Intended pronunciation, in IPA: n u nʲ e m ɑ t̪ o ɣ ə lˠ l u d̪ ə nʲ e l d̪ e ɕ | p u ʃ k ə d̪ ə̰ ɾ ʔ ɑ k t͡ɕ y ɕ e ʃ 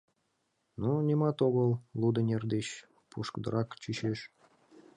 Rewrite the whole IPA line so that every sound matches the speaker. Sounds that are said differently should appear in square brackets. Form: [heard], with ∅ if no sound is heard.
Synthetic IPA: n u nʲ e m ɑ t̪ o ɣ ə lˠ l u d̪ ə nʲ e [r] d̪ e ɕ | p u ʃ k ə d̪ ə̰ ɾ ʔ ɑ k t͡ɕ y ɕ e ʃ